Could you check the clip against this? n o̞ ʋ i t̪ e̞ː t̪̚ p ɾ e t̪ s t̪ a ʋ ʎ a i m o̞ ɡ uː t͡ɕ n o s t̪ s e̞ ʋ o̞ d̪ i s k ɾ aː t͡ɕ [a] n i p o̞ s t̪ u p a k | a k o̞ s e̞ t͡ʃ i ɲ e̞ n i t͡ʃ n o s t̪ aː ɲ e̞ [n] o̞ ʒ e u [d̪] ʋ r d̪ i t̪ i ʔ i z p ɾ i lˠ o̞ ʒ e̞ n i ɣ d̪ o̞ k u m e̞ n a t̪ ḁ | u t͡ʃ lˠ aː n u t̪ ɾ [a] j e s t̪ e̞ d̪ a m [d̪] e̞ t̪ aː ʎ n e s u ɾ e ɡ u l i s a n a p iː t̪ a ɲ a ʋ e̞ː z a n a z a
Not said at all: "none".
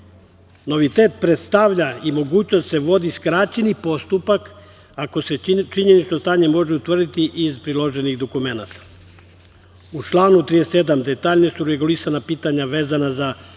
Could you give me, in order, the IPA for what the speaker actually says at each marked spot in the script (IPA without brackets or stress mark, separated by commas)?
e, m, t̪, i, d̪